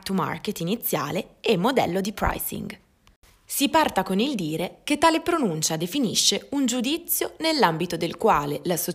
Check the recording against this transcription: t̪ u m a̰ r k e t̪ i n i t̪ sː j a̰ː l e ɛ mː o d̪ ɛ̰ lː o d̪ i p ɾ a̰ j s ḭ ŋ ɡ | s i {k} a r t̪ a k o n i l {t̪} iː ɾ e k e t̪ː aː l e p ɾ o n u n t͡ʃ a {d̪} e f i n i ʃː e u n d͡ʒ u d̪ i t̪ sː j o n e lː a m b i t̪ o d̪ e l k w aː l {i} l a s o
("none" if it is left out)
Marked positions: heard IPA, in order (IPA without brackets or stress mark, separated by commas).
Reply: p, d̪, d̪, e